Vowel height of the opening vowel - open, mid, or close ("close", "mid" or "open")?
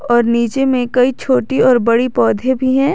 mid